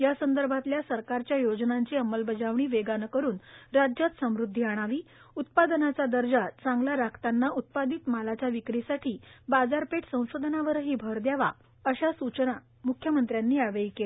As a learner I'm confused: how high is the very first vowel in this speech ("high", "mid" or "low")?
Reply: low